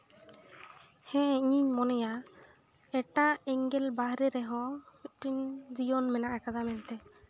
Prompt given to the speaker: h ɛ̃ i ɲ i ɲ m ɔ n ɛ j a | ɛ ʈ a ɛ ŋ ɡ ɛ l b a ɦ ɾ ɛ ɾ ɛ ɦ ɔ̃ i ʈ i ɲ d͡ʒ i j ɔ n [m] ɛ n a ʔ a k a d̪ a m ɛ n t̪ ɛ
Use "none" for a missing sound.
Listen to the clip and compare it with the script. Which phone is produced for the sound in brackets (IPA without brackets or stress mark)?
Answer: m